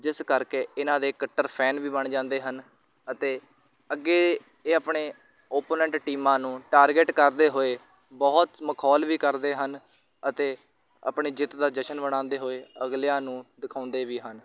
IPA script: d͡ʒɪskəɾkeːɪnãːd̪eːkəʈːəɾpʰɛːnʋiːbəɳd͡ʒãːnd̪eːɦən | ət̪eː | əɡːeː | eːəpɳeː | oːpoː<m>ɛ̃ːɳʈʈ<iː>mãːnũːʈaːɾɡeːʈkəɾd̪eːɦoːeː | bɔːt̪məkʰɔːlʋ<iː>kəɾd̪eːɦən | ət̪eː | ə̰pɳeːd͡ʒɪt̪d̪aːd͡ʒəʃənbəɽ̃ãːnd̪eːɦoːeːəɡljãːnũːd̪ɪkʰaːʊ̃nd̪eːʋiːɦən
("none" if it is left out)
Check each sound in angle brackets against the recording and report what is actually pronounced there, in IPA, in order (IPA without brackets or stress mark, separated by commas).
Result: n, iː, iː